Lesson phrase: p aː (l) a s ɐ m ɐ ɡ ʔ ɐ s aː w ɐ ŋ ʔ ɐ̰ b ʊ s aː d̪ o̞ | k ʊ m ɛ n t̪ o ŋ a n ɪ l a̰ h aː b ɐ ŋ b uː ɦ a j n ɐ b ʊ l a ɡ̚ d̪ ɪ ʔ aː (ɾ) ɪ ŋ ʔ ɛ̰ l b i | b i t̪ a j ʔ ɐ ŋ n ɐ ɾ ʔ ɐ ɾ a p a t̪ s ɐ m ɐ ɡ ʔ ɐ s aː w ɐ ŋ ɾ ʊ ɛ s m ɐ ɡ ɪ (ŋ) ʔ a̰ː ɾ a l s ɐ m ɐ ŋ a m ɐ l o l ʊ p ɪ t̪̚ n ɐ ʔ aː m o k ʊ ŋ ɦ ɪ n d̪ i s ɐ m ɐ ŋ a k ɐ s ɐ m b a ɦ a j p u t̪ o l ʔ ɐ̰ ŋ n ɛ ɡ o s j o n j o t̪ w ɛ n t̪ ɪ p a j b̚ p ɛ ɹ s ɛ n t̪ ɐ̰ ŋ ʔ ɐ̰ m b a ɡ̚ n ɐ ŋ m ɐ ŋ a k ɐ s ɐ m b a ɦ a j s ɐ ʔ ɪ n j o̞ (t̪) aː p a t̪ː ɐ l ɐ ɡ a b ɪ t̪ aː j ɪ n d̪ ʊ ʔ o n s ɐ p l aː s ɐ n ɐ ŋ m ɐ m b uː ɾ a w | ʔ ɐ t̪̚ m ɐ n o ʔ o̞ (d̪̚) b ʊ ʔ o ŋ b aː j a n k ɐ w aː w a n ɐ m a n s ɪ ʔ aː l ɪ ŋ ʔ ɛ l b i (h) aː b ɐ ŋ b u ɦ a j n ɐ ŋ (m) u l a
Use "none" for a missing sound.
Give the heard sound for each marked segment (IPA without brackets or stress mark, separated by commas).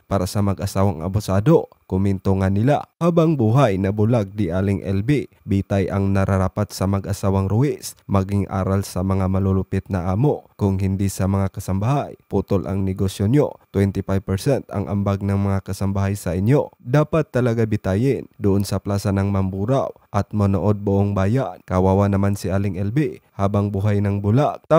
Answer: ɾ, l, ŋ, d̪, d̪̚, h, b